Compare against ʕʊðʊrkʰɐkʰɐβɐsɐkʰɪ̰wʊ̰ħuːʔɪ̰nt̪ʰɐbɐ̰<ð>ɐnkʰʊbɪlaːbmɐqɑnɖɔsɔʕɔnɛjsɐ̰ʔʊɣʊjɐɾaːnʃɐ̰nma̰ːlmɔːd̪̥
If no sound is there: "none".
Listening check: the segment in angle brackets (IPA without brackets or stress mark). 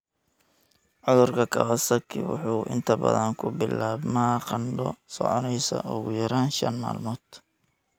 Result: ð